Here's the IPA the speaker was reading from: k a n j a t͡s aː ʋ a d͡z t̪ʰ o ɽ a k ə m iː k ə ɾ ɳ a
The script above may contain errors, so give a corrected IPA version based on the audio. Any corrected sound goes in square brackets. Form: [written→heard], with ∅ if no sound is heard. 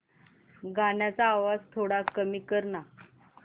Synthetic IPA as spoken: [k→ɡ] a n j a t͡s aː ʋ a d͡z t̪ʰ o ɽ a k ə m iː k ə ɾ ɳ a

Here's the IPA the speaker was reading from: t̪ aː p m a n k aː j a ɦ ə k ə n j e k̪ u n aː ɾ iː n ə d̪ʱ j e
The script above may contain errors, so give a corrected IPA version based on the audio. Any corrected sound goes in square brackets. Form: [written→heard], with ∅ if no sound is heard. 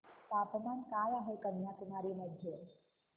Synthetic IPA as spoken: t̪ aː p m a n k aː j a ɦ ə k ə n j [e→a] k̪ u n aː ɾ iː [n→m] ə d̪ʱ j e

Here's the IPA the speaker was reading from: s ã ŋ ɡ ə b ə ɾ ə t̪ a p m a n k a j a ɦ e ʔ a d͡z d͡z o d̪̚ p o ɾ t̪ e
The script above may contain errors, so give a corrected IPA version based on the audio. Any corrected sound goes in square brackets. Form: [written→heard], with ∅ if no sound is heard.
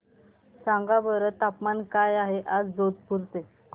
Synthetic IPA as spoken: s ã ŋ ɡ [ə→a] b ə ɾ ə t̪ a p m a n k a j a ɦ e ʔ a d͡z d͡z o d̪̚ p [o→u] ɾ t̪ e

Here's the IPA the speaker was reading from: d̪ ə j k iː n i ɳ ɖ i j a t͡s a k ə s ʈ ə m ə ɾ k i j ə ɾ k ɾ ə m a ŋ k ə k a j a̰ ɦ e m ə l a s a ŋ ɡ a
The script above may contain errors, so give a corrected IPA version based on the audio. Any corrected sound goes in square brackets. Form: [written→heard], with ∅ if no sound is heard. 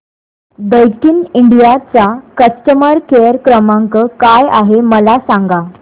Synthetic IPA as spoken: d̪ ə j k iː n i ɳ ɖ i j a t͡s a k ə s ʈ ə m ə ɾ k [i→e] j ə ɾ k ɾ ə m a ŋ k ə k a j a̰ ɦ e m ə l a s a ŋ ɡ a

